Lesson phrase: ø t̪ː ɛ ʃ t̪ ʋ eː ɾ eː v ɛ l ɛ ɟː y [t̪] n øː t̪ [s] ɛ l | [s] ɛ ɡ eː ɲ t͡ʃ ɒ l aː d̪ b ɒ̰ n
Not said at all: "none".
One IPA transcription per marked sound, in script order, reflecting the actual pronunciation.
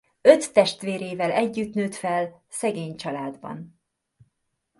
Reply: t̪, f, s

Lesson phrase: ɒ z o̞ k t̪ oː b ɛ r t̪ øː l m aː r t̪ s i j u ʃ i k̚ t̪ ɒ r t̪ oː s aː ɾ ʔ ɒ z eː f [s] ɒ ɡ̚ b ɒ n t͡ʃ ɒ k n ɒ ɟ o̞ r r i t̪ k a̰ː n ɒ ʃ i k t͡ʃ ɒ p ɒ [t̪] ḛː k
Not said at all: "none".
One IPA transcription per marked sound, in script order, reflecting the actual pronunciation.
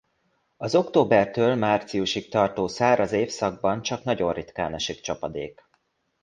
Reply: s, d̪

